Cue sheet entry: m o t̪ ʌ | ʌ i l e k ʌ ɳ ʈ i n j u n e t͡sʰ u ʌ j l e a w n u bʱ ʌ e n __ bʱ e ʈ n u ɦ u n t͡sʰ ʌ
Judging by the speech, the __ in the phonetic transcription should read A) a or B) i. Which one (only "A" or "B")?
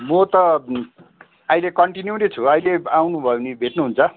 B